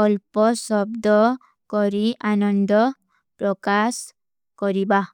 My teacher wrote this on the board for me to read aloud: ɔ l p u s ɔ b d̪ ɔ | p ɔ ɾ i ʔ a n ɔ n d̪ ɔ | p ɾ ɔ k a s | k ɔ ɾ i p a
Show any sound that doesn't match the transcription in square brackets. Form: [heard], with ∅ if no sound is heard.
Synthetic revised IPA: ɔ l p [ɔ] s ɔ b d̪ ɔ | [k] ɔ ɾ i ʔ a n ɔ n d̪ ɔ | p ɾ ɔ k a s | k ɔ ɾ i [b] a